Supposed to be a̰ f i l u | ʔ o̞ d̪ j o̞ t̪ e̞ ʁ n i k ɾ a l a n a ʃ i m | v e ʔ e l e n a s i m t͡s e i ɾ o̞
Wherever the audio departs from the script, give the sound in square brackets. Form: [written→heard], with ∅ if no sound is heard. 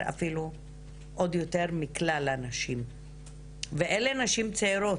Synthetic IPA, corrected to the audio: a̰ f i l u | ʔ o̞ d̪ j o̞ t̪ e̞ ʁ [n→m] i k [ɾ→l] a l a n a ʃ i m | v e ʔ e l e n a [s→ʃ] i m t͡s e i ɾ o̞